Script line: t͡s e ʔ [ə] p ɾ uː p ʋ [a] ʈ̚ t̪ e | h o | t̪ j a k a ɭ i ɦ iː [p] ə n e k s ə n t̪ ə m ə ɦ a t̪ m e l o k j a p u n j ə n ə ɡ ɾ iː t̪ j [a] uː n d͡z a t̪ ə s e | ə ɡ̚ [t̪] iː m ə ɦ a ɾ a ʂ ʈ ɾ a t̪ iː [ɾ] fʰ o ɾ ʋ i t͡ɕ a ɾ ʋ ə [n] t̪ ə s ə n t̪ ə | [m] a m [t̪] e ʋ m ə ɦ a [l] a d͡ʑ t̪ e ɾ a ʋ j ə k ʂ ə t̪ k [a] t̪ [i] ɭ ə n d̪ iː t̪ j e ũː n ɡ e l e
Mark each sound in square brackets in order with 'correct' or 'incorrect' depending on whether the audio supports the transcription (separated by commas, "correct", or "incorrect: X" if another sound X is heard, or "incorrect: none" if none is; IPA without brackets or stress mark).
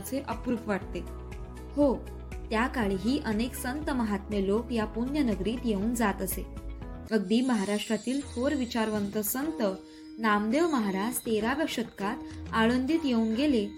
correct, correct, incorrect: ʔ, incorrect: e, incorrect: d̪, incorrect: l, correct, incorrect: n, incorrect: d̪, incorrect: ɾ, correct, incorrect: a